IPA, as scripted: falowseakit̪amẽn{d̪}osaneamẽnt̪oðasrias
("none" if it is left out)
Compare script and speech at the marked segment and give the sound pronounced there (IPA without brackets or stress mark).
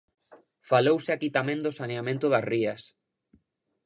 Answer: d̪